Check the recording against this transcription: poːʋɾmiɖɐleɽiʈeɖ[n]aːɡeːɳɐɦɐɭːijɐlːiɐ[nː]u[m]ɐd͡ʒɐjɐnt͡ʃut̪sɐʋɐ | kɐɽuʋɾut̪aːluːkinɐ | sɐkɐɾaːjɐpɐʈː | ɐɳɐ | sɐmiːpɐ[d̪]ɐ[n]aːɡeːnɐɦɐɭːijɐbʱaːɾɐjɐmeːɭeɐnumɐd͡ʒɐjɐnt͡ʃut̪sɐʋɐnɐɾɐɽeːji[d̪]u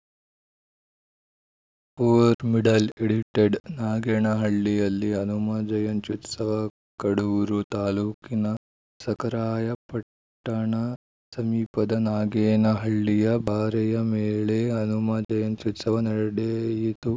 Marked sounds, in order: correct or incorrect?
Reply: correct, incorrect: n, correct, correct, correct, incorrect: t̪

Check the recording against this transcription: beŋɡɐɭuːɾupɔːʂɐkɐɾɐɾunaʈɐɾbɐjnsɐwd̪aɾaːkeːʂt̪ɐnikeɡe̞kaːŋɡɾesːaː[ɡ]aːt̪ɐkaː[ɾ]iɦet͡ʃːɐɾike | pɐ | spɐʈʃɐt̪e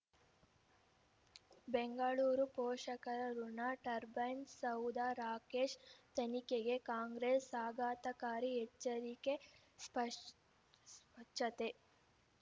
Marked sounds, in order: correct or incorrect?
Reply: correct, correct

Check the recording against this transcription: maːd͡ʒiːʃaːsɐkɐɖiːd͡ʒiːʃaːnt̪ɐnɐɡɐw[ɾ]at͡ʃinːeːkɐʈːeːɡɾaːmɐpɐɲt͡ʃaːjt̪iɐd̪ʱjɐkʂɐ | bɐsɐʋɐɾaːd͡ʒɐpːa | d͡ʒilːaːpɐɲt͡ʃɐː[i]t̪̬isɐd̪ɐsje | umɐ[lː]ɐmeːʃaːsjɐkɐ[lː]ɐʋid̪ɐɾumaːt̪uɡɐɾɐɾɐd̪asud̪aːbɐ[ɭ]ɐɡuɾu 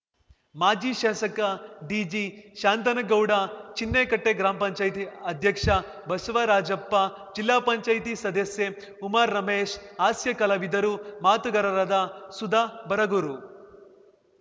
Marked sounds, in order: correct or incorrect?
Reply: incorrect: ɽ, incorrect: j, incorrect: ɾː, incorrect: l, incorrect: ɾ

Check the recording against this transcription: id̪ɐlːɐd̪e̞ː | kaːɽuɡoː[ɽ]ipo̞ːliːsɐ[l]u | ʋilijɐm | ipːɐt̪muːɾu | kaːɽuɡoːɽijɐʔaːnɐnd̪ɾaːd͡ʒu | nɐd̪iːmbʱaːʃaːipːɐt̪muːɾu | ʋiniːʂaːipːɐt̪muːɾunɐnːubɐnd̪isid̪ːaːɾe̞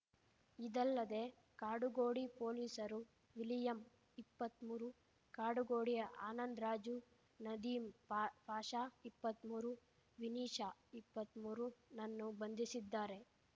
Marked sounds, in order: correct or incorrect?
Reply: correct, incorrect: ɾ

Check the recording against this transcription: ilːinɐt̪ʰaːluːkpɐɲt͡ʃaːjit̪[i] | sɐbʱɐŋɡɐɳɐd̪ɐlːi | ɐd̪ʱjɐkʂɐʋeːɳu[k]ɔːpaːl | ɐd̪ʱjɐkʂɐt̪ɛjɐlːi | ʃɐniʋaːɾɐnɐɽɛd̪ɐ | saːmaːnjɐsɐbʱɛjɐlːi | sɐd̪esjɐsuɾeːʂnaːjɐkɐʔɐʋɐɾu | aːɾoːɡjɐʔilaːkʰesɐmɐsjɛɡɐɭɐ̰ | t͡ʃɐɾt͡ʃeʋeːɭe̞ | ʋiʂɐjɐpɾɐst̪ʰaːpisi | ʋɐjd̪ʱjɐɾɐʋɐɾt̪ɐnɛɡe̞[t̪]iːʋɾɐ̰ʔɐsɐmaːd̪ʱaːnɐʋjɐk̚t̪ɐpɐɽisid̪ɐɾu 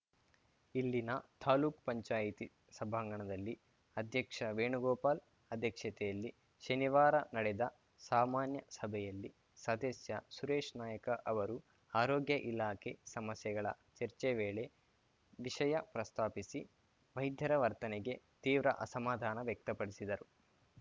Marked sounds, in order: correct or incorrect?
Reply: correct, incorrect: ɡ, correct

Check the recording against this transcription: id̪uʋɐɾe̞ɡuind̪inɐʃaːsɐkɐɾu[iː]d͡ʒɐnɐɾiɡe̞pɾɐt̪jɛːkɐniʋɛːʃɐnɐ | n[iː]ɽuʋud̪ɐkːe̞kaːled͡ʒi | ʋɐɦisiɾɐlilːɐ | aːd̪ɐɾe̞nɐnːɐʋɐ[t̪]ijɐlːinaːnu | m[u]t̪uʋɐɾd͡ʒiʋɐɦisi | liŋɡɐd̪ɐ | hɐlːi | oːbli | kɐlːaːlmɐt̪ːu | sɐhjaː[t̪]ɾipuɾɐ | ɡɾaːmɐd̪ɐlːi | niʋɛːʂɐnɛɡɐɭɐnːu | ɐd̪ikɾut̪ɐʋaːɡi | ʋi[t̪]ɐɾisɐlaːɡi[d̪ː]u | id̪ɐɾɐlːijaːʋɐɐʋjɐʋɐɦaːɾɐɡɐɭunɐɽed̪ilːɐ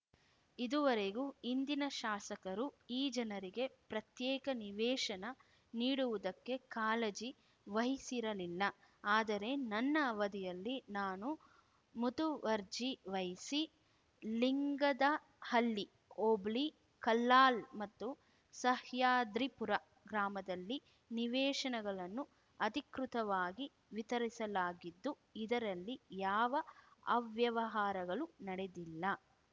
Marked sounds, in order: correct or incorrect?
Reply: correct, correct, incorrect: d̪, correct, incorrect: d̪, correct, correct

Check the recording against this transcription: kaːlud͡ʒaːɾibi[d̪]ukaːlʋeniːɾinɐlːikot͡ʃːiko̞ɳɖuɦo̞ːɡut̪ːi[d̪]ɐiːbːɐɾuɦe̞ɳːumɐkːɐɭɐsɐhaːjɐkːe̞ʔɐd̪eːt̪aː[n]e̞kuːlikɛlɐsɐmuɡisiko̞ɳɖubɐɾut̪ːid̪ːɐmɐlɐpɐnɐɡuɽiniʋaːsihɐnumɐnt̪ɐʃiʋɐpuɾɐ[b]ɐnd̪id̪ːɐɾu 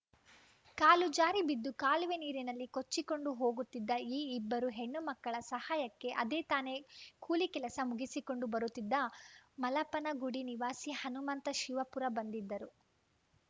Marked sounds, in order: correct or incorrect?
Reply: incorrect: d̪ː, incorrect: d̪ː, correct, correct

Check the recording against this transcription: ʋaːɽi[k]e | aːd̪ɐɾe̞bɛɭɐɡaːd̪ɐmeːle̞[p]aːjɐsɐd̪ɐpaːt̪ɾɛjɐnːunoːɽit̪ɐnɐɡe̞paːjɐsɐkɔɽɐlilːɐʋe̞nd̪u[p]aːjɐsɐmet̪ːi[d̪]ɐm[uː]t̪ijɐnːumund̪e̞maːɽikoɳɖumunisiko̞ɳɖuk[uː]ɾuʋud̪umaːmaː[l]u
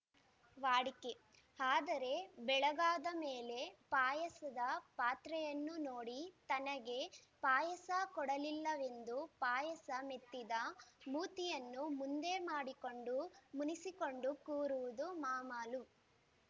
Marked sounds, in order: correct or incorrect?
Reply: correct, correct, correct, correct, correct, correct, correct

